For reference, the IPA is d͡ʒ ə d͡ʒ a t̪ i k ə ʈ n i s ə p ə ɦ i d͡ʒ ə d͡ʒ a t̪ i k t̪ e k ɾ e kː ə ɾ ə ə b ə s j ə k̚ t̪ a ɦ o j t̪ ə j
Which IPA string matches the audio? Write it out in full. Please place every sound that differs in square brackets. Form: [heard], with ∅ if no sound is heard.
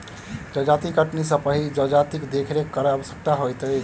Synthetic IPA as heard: d͡ʒ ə d͡ʒ a t̪ i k ə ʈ n i s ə p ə ɦ i d͡ʒ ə d͡ʒ a t̪ i k [d̪] e [kʰ] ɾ e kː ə ɾ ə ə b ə s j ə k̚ t̪ a ɦ o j t̪ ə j